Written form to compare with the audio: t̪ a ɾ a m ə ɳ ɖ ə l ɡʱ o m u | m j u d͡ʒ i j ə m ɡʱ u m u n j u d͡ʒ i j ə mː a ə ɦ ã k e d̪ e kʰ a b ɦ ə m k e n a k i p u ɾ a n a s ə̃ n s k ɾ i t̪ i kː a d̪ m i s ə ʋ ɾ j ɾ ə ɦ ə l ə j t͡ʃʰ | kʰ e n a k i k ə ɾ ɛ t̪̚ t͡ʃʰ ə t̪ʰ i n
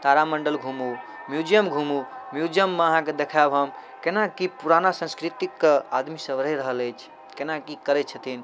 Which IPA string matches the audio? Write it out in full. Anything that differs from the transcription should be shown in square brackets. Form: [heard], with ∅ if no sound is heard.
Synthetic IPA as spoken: t̪ a ɾ a m ə ɳ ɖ ə l ɡʱ [u] m u | m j u d͡ʒ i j ə m ɡʱ u m u [m] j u d͡ʒ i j ə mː [e] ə ɦ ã k e d̪ e kʰ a b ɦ ə m k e n a k i p u ɾ a n a s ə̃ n s k ɾ i t̪ i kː a d̪ m i s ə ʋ ɾ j ɾ ə ɦ ə l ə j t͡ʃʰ | [k] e n a k i k ə ɾ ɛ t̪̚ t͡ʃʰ ə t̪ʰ i n